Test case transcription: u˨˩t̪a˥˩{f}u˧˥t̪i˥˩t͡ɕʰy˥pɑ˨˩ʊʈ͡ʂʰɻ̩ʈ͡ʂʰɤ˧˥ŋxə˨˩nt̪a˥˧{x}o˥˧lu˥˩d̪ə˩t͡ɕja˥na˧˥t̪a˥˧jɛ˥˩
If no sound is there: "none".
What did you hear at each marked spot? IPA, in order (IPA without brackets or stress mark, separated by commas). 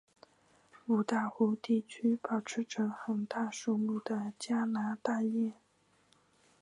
x, ʂ